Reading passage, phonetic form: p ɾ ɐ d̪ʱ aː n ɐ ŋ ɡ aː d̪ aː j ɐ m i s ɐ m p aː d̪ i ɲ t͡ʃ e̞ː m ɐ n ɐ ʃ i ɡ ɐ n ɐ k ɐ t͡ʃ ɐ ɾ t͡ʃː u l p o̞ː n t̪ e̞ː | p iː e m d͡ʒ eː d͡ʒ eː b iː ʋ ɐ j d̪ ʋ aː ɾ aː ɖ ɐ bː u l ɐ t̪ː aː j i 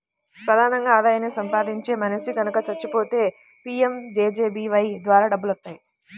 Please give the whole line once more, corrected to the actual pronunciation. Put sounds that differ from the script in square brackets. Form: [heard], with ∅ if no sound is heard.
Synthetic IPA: p ɾ ɐ d̪ʱ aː n ɐ ŋ ɡ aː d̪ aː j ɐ [n] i s ɐ m p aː d̪ i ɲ t͡ʃ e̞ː m ɐ n ɐ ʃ i ɡ ɐ n ɐ k ɐ t͡ʃ ɐ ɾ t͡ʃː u [∅] p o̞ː [∅] t̪ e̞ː | p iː e m d͡ʒ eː d͡ʒ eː b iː ʋ ɐ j d̪ ʋ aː ɾ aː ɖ ɐ bː u l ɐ t̪ː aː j i